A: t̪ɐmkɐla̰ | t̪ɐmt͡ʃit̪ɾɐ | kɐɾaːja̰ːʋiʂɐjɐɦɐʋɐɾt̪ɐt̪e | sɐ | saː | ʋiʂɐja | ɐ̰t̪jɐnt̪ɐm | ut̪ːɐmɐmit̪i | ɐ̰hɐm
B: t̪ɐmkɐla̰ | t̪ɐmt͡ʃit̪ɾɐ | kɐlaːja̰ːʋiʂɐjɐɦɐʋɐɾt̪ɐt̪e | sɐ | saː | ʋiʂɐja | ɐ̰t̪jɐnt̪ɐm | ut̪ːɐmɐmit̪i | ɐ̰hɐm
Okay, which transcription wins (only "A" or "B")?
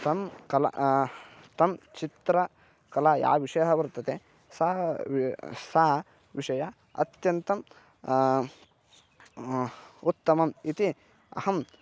B